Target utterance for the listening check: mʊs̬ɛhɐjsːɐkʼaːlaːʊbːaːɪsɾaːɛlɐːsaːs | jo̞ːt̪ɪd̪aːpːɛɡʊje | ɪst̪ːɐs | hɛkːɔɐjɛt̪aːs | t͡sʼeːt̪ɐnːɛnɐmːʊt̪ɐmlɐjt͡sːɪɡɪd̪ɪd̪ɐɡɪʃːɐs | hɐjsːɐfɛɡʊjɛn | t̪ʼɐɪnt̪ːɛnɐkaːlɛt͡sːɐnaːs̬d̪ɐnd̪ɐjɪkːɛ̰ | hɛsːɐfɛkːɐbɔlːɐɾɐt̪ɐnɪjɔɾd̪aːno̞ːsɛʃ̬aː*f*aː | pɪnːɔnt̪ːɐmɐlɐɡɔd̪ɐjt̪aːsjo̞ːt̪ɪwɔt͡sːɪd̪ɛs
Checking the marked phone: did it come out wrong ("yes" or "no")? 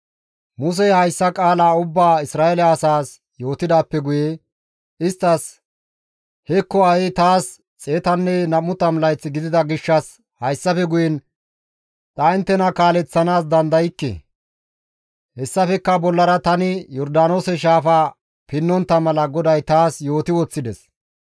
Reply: no